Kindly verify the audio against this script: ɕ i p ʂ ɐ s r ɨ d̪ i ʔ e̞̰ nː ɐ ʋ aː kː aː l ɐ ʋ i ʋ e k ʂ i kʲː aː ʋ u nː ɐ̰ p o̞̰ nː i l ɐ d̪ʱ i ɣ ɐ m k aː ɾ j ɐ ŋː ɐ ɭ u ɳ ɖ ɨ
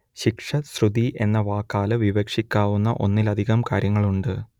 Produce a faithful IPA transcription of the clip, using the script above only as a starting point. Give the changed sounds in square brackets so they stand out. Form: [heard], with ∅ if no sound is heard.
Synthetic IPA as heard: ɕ i [k] ʂ ɐ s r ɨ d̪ i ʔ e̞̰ nː ɐ ʋ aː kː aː l ɐ ʋ i ʋ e k ʂ i kʲː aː ʋ u nː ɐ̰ [ʔ] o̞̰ nː i l ɐ d̪ʱ i ɣ ɐ m k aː ɾ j ɐ ŋː ɐ ɭ u ɳ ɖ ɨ

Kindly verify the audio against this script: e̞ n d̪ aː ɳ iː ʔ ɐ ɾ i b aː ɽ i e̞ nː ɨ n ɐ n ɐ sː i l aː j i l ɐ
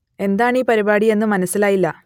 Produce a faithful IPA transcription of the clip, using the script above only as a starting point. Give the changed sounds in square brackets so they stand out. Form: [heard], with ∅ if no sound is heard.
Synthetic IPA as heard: e̞ n d̪ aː ɳ iː [p] ɐ ɾ i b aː ɽ i e̞ nː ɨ [m] ɐ n ɐ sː i l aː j i [lː] ɐ

